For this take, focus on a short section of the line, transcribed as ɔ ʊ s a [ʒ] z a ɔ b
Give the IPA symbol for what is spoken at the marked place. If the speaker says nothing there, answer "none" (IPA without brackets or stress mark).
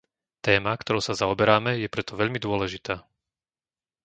none